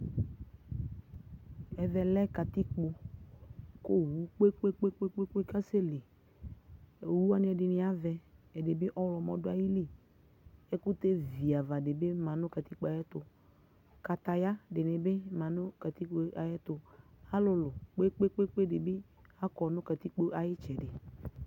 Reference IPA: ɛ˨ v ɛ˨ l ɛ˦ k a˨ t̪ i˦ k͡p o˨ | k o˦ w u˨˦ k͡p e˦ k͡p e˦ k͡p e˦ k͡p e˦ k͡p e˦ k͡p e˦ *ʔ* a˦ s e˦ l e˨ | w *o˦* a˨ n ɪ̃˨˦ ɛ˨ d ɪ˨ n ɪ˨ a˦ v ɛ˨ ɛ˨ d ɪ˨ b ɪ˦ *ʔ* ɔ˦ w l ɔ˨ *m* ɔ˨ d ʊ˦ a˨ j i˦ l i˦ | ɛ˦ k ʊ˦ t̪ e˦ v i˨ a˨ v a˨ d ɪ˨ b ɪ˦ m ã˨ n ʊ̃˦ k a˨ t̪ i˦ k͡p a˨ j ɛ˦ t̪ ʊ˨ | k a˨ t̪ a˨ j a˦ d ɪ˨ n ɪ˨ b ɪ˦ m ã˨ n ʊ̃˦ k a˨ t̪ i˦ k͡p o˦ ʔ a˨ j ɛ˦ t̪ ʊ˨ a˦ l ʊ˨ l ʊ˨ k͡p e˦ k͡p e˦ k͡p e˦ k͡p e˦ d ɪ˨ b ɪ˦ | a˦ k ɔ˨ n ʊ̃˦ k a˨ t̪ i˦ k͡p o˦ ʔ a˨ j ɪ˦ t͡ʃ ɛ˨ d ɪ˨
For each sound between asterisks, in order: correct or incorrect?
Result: incorrect, incorrect, correct, correct

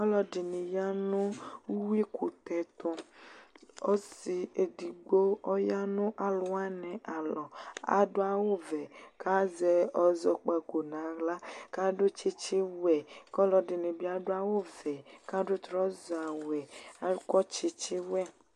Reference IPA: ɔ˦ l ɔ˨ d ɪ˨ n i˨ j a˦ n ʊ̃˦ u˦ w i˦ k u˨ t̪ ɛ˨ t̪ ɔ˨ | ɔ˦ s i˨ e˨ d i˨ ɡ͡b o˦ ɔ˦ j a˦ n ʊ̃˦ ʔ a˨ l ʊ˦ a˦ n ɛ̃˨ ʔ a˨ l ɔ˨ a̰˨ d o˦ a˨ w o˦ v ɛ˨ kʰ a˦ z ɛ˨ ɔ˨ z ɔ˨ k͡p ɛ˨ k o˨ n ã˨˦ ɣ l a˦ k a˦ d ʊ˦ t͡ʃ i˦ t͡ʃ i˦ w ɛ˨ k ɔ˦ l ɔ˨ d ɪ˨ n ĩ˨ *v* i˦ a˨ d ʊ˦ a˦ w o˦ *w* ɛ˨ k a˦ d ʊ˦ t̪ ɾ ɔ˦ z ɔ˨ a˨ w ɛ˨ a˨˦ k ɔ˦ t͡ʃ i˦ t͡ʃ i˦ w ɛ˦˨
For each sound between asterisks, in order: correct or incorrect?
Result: incorrect, incorrect

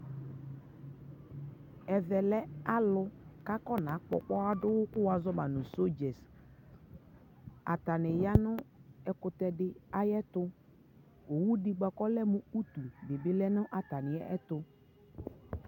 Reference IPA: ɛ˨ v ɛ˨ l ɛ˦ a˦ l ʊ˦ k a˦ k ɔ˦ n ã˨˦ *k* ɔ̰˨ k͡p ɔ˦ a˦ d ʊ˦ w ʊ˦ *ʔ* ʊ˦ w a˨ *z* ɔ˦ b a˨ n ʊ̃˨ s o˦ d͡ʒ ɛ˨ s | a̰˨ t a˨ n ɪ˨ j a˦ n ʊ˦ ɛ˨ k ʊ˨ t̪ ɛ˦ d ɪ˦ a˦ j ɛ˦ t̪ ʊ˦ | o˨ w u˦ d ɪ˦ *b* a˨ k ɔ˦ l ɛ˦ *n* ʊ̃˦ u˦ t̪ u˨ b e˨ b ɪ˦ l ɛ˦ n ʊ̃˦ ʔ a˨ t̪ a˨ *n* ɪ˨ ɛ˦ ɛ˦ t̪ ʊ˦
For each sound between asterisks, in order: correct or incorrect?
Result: incorrect, incorrect, correct, incorrect, incorrect, correct

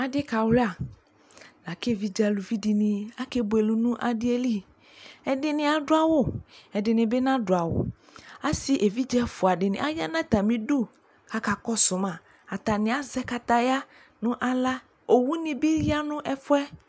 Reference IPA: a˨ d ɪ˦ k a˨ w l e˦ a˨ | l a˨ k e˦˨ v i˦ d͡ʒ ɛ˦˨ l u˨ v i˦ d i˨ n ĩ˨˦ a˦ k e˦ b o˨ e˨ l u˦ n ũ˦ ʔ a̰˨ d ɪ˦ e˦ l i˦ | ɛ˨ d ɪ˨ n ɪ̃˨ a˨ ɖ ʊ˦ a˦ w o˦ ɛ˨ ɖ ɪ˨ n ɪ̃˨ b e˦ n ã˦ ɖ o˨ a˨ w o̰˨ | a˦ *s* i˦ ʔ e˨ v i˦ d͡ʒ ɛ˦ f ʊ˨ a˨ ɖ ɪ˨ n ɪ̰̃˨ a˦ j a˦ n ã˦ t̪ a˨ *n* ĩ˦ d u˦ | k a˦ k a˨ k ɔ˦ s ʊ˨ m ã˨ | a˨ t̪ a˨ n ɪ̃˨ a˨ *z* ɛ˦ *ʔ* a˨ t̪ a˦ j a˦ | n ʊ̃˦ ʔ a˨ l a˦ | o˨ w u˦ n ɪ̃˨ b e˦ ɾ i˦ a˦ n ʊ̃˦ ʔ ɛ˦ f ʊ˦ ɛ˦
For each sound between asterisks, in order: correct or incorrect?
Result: correct, incorrect, correct, incorrect

